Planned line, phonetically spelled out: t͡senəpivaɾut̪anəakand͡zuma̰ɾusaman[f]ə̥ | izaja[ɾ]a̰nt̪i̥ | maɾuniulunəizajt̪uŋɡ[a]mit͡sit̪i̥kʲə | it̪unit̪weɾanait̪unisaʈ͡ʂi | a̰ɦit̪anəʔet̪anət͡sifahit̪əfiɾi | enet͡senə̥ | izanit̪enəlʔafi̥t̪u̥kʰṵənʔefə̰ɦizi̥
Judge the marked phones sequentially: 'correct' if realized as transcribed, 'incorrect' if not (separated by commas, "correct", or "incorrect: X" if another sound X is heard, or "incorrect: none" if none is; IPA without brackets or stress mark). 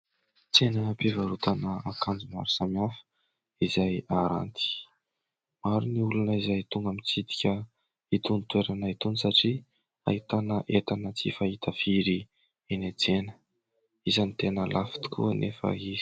correct, correct, correct